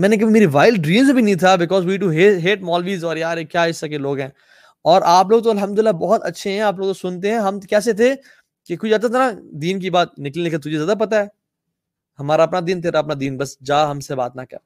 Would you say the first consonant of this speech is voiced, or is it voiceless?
voiced